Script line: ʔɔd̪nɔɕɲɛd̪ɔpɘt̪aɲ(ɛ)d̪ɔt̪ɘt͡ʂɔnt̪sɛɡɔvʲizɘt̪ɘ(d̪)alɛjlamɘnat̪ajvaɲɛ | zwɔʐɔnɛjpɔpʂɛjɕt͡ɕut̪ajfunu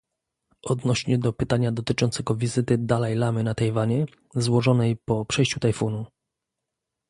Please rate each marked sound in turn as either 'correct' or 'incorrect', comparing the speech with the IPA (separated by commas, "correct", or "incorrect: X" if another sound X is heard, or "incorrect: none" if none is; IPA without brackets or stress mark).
incorrect: a, correct